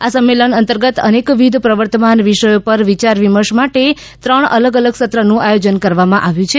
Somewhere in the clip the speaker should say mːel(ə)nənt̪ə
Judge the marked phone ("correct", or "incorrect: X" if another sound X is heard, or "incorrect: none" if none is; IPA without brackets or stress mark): correct